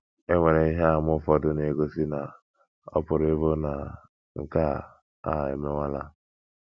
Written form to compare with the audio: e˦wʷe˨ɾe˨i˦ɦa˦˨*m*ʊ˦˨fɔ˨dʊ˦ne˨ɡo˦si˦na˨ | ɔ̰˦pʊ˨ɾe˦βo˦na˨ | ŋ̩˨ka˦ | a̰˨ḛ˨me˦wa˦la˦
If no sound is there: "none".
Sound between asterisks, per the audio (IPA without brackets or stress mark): m